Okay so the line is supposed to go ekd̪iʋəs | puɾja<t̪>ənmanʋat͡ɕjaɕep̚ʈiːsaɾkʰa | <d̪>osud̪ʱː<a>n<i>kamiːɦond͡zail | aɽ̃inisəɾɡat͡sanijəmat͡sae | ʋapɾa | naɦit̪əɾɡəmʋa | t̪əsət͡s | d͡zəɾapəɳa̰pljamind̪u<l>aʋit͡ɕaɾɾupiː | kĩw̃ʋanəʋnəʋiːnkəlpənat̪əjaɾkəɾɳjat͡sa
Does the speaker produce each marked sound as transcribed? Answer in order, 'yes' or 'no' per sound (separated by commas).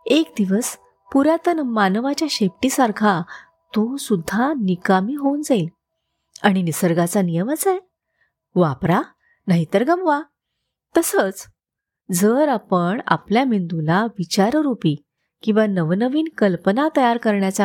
yes, no, yes, yes, yes